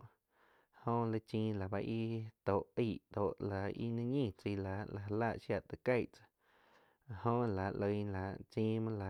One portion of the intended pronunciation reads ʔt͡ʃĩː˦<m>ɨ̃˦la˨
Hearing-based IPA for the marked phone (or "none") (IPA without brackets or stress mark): m